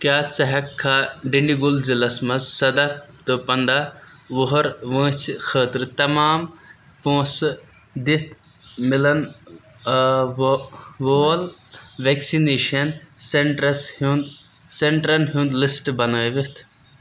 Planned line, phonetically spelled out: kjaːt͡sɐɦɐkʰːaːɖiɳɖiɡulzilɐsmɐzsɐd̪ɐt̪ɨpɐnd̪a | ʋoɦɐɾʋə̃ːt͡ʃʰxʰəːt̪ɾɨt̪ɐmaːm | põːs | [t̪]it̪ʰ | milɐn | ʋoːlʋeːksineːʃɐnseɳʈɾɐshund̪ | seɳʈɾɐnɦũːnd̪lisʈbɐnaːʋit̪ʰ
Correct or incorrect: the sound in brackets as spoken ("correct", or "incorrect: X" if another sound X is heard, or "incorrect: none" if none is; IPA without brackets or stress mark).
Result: incorrect: d̪